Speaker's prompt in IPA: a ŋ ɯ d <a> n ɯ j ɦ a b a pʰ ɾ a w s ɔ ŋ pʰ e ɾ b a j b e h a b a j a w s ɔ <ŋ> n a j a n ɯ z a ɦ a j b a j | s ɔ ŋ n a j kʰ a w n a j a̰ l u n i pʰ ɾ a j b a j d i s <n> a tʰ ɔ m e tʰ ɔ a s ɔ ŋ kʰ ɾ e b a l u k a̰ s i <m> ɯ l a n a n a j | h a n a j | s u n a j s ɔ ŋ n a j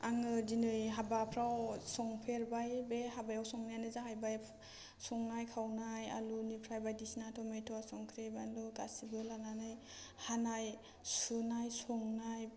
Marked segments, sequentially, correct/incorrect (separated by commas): incorrect, correct, correct, incorrect